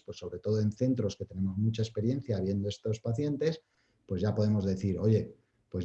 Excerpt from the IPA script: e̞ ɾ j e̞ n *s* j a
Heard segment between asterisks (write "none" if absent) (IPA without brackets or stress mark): θ